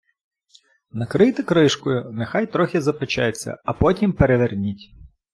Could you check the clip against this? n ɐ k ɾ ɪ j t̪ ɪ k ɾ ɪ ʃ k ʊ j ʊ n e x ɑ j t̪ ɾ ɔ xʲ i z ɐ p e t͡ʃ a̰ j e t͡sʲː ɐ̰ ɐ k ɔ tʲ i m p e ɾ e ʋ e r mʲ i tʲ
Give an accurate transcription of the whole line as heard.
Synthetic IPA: n ɐ k ɾ ɪ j t̪ ɪ k ɾ ɪ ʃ k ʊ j ʊ n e x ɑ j t̪ ɾ ɔ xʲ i z ɐ p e t͡ʃ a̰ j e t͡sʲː ɐ̰ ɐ p ɔ tʲ i m p e ɾ e ʋ e r nʲ i tʲ